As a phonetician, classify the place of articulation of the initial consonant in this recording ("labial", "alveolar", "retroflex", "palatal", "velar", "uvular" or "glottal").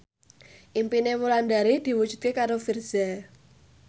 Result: glottal